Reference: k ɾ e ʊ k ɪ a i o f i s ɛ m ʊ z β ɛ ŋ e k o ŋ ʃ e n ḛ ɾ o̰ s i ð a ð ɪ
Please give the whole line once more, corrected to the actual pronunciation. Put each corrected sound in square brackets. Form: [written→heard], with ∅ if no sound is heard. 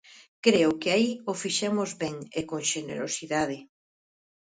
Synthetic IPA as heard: k ɾ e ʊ k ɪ a i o f i [s→ʃ] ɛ m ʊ z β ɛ ŋ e k o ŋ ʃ e n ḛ ɾ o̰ s i ð a ð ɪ